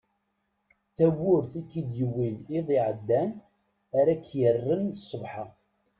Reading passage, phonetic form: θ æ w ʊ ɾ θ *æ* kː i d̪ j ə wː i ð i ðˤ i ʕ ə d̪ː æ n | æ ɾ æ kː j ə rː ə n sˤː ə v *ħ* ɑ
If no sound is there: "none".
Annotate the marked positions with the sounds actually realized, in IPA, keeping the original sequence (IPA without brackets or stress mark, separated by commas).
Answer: i, ħ